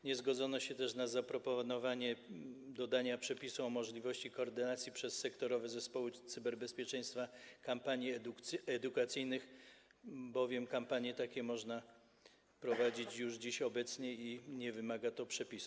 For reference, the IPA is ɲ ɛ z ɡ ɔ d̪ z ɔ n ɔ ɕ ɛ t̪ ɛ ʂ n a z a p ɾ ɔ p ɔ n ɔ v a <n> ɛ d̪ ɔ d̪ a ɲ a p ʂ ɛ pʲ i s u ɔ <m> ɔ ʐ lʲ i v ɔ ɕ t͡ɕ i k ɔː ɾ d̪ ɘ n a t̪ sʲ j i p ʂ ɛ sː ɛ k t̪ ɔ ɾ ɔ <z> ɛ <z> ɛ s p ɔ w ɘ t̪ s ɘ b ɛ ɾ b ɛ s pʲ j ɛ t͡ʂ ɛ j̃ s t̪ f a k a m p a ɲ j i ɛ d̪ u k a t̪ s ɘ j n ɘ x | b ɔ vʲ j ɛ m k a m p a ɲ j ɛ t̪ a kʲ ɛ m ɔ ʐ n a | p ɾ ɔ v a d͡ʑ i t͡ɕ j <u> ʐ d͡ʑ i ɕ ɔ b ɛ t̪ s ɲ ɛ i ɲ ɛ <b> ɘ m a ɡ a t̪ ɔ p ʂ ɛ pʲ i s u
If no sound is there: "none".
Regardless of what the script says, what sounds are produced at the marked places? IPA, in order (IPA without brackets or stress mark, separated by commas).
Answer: ɲ, m, v, z, u, v